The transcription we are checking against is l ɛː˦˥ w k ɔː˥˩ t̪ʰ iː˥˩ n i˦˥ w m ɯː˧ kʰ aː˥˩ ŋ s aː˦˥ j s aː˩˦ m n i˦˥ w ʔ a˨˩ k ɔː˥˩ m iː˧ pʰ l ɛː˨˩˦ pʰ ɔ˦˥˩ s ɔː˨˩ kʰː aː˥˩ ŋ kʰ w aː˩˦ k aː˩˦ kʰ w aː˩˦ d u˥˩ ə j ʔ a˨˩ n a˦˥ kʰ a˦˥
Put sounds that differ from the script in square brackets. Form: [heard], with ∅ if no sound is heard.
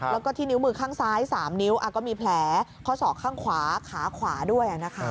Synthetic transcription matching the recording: l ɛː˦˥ w k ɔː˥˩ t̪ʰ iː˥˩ n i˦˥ w m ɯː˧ kʰ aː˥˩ ŋ s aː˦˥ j s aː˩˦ m n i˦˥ w ʔ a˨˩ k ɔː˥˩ m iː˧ pʰ l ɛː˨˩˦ [kʰ] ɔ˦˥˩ s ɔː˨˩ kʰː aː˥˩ ŋ kʰ w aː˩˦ [kʰ] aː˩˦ kʰ w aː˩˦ d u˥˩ ə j ʔ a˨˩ n a˦˥ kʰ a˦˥